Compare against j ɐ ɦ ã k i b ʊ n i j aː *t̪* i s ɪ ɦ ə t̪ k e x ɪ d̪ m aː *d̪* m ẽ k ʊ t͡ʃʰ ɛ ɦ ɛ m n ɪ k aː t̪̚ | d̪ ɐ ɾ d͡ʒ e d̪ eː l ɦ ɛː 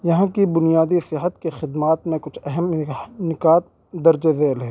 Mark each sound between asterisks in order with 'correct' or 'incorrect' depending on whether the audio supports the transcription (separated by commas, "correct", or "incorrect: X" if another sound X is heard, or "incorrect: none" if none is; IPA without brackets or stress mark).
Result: incorrect: d̪, incorrect: t̪